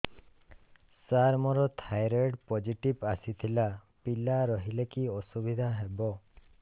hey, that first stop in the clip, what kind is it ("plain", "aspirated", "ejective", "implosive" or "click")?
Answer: aspirated